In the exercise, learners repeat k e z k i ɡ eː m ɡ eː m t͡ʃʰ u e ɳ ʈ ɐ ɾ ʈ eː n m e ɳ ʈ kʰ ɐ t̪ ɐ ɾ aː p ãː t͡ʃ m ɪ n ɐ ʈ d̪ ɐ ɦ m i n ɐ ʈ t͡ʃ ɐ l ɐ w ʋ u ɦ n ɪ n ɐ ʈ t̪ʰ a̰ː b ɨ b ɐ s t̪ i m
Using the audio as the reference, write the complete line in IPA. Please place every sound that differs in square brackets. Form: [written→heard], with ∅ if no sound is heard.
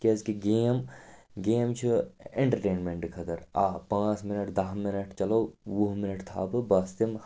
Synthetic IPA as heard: k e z k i ɡ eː m ɡ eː m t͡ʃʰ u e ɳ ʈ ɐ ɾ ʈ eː n m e ɳ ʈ kʰ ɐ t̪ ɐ ɾ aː p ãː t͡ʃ m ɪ n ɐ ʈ d̪ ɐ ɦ m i n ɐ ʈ t͡ʃ ɐ l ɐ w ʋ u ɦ [n→m] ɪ n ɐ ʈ t̪ʰ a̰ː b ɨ b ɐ s t̪ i m